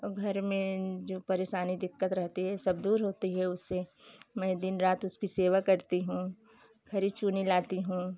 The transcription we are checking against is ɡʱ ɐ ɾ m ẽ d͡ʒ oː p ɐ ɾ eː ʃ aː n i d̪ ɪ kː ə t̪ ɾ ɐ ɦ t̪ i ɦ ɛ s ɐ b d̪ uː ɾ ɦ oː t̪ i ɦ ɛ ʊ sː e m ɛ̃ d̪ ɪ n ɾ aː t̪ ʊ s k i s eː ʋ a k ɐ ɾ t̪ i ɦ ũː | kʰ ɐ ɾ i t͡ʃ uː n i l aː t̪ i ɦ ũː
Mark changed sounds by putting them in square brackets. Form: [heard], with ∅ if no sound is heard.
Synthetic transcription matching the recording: ɡʱ ɐ ɾ m ẽ d͡ʒ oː p ɐ ɾ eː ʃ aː n i d̪ ɪ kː ə t̪ ɾ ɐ ɦ t̪ i ɦ ɛ s ɐ b d̪ uː ɾ ɦ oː t̪ i ɦ ɛ ʊ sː e m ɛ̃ d̪ ɪ n ɾ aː t̪ ʊ s k i s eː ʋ a k ɐ ɾ t̪ i ɦ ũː | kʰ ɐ ɾ i t͡ʃ uː n i l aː t̪ i ɦ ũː